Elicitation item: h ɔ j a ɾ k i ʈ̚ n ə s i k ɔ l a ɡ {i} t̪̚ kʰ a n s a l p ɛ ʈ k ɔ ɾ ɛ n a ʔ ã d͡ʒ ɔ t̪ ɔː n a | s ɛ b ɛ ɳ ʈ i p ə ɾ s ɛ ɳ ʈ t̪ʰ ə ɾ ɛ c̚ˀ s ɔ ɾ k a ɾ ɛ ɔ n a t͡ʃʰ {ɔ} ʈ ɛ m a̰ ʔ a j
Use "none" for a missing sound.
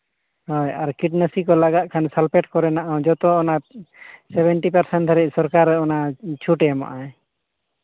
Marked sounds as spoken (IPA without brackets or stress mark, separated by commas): a, u